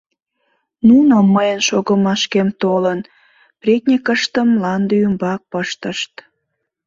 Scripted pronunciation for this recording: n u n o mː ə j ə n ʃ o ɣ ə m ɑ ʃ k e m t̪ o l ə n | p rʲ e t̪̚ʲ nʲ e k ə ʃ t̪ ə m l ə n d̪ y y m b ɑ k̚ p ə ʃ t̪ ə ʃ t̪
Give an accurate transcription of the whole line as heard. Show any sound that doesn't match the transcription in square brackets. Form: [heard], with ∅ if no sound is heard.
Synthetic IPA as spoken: n u n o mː ə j ə n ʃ o ɣ ə m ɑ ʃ k e m t̪ o l ə n | p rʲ e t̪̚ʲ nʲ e k ə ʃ t̪ ə m l [ɑ] n d̪ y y m b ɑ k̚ p ə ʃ t̪ ə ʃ t̪